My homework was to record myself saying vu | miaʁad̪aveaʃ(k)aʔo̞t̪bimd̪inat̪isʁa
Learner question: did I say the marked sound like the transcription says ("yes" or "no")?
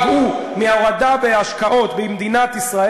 yes